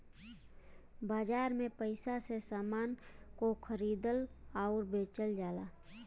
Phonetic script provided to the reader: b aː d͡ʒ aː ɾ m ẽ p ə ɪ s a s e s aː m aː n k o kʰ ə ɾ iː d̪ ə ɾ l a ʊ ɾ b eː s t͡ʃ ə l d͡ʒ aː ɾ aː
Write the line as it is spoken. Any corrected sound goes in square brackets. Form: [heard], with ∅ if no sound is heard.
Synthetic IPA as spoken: b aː d͡ʒ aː ɾ m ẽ p ə ɪ s a s e s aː m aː n k o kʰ ə ɾ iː d̪ ə [∅] l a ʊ ɾ b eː [∅] t͡ʃ ə l d͡ʒ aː [l] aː